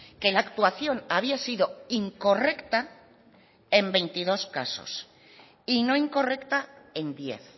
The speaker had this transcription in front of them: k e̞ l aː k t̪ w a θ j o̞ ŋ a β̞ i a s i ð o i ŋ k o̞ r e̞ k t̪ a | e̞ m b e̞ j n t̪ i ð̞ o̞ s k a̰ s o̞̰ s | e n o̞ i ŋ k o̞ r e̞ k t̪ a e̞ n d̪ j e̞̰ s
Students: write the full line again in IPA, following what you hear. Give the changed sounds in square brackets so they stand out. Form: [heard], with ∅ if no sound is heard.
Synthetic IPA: k e̞ l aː k t̪ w a θ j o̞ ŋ a β̞ i a s i ð o i ŋ k o̞ r e̞ k t̪ a | e̞ m b e̞ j n t̪ i ð̞ o̞ s k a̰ s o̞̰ s | [i] n o̞ i ŋ k o̞ r e̞ k t̪ a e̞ n d̪ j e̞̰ [θ]